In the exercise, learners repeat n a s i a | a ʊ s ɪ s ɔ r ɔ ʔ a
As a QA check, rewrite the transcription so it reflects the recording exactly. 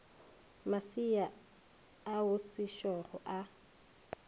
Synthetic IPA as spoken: m a s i a | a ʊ s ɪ ʃ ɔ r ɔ ʔ a